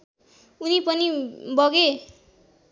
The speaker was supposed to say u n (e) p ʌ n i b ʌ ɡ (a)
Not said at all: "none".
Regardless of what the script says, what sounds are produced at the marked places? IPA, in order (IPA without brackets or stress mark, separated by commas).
i, e